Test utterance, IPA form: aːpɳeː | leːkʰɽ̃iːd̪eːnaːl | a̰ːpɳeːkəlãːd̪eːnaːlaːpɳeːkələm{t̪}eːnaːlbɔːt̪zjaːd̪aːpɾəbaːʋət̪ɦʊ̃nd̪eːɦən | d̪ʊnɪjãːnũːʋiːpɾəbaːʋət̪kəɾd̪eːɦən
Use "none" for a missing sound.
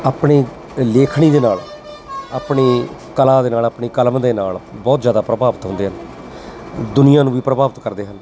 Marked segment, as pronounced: d̪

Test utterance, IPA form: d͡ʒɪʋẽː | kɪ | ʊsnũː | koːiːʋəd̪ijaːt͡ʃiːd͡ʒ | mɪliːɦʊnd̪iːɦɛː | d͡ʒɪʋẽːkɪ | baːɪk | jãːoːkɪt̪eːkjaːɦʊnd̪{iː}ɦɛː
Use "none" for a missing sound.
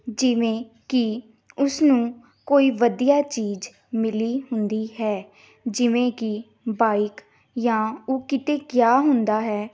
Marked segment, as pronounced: aː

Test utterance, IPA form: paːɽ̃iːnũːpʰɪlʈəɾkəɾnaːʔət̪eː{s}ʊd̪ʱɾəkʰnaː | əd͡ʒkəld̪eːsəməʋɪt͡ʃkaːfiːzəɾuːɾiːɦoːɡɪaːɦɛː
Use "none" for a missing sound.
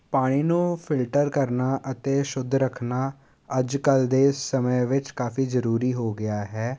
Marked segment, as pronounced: ʃ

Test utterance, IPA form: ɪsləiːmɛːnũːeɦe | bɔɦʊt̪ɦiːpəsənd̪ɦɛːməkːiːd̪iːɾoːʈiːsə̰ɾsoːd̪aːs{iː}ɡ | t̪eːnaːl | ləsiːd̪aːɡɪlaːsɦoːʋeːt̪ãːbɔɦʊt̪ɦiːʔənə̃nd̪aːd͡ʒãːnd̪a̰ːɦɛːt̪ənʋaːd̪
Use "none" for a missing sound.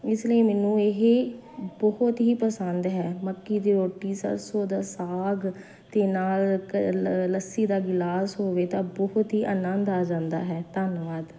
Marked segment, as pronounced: aː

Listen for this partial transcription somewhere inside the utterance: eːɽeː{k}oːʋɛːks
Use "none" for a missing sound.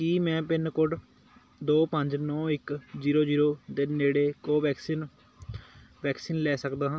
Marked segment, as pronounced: k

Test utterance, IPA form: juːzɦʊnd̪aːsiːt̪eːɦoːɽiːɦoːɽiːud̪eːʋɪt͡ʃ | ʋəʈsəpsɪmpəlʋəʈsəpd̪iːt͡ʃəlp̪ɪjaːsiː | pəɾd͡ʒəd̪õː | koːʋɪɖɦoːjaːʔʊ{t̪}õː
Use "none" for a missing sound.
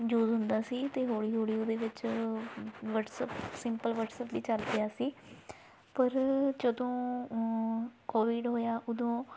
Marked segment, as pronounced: d̪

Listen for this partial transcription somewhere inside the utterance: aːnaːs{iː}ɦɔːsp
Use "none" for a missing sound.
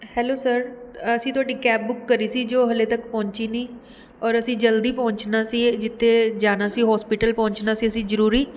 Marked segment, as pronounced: iː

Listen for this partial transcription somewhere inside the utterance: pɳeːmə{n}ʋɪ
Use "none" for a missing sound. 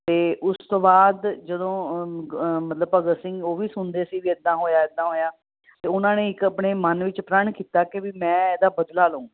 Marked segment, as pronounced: n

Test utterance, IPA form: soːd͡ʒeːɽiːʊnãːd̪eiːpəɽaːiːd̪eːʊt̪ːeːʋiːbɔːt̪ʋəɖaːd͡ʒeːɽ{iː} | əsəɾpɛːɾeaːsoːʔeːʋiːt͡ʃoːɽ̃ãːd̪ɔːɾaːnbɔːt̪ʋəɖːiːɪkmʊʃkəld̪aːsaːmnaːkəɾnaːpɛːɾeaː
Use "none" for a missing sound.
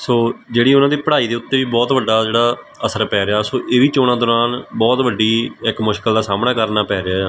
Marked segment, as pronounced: aː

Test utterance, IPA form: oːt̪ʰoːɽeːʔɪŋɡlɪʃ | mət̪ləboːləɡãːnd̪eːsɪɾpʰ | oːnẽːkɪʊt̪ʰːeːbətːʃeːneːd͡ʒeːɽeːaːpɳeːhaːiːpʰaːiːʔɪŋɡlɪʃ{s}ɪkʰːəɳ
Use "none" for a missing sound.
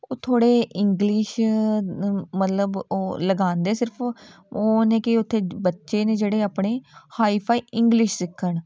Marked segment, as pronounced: s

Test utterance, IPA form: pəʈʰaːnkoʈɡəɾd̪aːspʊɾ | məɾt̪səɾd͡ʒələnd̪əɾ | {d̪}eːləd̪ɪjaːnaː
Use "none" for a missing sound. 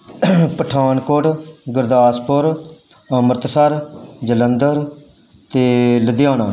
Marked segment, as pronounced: t̪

